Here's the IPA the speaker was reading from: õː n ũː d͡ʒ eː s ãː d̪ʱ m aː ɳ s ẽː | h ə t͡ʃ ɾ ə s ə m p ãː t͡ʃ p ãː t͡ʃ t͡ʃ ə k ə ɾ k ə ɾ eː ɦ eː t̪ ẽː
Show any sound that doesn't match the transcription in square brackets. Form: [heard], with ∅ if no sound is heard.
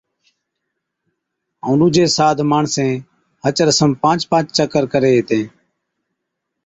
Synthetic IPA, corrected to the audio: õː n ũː d͡ʒ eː s [aː] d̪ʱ m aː ɳ s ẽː | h ə t͡ʃ ɾ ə s ə m p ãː t͡ʃ p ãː t͡ʃ t͡ʃ ə k ə ɾ k ə ɾ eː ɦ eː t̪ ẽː